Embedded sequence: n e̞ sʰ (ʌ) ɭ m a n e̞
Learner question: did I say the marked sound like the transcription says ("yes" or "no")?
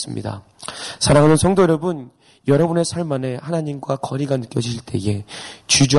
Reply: no